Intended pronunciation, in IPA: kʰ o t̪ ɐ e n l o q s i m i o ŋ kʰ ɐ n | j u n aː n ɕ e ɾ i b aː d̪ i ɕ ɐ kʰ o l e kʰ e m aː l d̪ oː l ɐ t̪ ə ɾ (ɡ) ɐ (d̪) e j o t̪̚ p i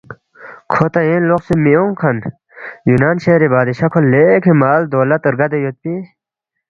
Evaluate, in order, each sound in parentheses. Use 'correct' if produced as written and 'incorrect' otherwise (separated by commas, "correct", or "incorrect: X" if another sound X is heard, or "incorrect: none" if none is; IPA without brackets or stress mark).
correct, correct